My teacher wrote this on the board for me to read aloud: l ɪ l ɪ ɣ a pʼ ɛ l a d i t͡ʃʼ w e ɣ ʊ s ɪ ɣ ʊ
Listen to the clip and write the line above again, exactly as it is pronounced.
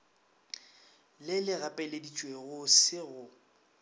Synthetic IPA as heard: l ɪ l ɪ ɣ a pʼ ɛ l e d i t͡ʃʼ w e ɣ ʊ s ɪ ɣ ʊ